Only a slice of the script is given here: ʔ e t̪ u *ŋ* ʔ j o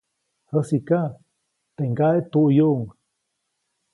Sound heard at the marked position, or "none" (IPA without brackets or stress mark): none